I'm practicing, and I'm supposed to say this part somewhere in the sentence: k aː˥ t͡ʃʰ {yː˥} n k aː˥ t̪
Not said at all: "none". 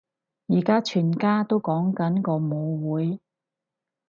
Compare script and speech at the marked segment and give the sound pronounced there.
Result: yː˨˩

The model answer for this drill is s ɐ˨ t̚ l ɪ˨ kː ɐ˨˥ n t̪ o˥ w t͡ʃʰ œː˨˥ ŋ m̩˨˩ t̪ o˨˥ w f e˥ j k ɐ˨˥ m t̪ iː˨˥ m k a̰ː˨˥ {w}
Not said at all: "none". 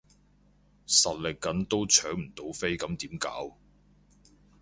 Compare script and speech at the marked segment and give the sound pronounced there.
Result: w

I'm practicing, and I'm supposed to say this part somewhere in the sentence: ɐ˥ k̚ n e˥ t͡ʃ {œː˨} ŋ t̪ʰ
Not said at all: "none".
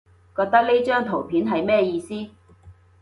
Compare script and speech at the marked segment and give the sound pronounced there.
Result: œː˥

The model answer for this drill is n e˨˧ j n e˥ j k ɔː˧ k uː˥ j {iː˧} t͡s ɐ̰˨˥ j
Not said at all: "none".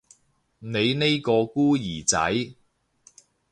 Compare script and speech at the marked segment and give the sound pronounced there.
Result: iː˨˩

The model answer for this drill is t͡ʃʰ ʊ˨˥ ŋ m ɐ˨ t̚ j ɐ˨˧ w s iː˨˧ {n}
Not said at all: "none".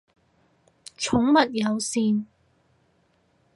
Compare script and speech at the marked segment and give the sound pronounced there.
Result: n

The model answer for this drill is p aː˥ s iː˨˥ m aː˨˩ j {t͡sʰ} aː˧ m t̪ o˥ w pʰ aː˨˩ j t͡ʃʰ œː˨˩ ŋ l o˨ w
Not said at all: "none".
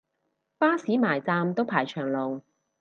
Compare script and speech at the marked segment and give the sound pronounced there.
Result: t͡s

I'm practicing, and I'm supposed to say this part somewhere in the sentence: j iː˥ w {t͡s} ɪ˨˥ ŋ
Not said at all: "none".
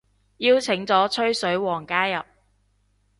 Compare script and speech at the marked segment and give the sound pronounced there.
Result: t͡sʰ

